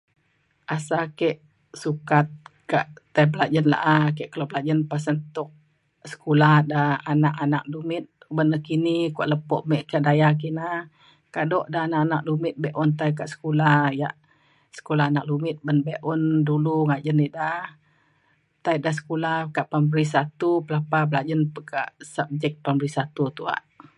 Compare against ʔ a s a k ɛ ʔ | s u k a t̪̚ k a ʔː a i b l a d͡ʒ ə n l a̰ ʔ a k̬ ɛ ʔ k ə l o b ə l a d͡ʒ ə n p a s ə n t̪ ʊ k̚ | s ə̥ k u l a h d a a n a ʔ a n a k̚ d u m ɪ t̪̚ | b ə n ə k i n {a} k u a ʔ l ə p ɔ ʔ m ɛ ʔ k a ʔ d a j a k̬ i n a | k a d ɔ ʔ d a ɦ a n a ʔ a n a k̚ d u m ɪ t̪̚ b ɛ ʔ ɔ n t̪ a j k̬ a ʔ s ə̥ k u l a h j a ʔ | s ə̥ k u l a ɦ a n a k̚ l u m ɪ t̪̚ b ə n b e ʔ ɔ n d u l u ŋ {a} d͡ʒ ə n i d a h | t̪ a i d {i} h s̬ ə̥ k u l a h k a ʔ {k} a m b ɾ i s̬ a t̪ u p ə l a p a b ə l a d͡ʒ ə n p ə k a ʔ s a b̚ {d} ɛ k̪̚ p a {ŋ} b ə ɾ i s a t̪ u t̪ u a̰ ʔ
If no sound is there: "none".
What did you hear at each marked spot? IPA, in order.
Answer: i, a, a, p, d͡ʒ, m

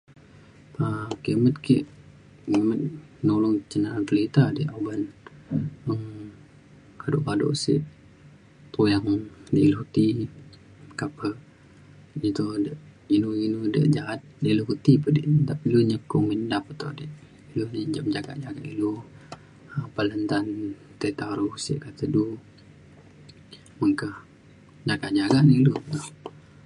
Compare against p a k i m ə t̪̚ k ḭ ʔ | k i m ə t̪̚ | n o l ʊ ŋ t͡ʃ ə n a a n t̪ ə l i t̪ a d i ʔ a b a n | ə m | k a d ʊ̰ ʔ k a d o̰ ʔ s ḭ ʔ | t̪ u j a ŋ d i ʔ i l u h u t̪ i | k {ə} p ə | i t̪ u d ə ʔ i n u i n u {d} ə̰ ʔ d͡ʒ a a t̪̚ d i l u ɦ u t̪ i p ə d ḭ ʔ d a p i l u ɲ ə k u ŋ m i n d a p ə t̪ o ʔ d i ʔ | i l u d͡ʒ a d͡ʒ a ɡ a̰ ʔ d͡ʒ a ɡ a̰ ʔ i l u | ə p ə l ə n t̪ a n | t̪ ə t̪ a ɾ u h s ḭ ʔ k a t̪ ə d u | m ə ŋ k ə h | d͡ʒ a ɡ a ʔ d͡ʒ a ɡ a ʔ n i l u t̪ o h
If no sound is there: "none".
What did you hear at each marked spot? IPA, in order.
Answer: a, d

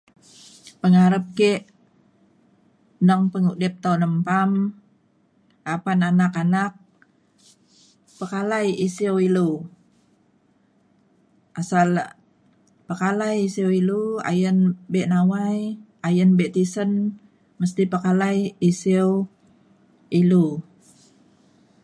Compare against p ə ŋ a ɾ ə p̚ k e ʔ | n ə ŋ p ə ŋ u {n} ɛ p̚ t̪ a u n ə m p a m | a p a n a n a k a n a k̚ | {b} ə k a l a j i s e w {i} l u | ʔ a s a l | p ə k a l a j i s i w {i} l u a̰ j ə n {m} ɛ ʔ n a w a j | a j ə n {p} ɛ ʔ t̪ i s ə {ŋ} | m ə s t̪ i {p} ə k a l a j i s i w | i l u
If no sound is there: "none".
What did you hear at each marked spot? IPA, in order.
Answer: d, p, i, i, b, b, n, p

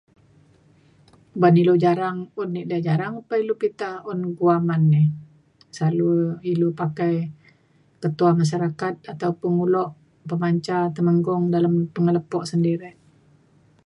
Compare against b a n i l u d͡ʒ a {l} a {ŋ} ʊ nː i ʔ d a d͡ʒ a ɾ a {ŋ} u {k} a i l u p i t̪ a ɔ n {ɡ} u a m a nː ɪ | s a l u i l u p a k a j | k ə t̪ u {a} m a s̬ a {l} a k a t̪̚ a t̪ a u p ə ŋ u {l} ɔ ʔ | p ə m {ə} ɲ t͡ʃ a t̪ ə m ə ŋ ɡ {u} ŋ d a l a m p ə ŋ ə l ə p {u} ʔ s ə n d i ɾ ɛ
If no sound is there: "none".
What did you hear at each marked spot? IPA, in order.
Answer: ɾ, ŋ, ŋ, p, ɡ, a, ɾ, l, a, ɔ, ɔ

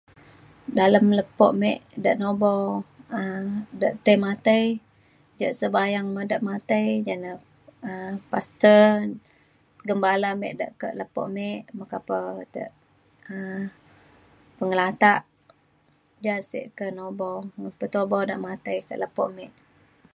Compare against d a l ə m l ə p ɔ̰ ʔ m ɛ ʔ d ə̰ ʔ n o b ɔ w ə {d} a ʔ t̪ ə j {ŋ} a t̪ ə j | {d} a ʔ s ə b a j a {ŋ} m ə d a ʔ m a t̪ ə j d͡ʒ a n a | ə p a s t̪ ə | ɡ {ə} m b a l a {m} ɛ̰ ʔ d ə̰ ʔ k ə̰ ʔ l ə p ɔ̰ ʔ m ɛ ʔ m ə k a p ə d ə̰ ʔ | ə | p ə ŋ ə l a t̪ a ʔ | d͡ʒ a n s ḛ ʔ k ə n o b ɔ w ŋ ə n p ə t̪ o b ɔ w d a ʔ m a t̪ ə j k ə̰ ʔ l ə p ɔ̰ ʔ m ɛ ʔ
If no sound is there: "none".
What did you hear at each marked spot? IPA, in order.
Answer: d, m, d͡ʒ, ŋ, ə, m

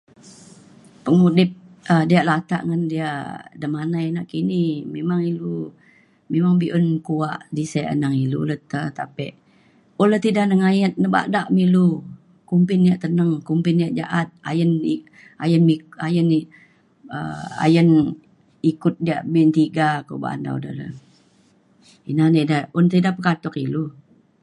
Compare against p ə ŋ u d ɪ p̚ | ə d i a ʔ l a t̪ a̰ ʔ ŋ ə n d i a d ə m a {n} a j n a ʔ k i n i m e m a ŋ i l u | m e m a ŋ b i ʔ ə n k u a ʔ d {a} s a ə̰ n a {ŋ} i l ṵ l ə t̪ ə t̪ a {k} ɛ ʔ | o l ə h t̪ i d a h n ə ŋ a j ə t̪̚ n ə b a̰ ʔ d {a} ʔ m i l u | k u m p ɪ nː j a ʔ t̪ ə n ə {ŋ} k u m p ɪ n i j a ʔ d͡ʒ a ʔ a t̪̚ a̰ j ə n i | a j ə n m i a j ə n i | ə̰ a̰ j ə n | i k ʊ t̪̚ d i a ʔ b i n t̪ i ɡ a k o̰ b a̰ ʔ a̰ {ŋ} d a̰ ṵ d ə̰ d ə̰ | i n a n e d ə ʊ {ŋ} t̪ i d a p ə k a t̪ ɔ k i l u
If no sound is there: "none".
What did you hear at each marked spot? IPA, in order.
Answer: n, i, ŋ, p, a, ŋ, n, n

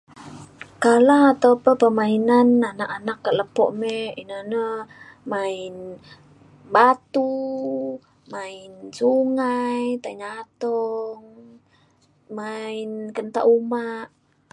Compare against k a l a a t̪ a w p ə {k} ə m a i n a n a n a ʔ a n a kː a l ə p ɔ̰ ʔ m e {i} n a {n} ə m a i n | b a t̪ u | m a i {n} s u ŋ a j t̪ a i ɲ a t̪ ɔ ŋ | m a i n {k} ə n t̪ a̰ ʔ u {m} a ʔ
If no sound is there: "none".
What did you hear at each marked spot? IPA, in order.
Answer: p, i, n, n, k, m

